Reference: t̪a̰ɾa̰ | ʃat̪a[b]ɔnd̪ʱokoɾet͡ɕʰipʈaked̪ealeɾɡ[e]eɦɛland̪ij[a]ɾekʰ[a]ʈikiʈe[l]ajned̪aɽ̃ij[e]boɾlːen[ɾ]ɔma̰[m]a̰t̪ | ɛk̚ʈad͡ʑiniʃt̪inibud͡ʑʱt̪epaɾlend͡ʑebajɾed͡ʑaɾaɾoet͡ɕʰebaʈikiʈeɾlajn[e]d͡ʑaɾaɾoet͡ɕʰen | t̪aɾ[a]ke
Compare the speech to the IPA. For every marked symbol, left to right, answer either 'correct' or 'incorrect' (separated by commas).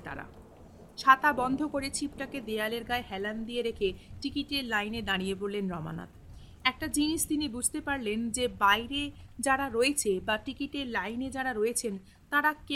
correct, incorrect, incorrect, incorrect, correct, correct, correct, incorrect, correct, correct